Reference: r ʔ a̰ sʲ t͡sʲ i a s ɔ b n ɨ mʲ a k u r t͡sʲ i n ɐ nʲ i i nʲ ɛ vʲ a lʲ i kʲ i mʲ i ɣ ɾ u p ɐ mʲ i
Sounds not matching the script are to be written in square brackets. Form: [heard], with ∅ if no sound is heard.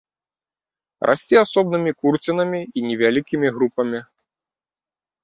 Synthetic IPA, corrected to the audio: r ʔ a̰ sʲ t͡sʲ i a s ɔ b n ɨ mʲ [i] k u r t͡sʲ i n ɐ [mʲ] i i nʲ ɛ vʲ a lʲ i kʲ i mʲ i ɣ ɾ u p ɐ mʲ i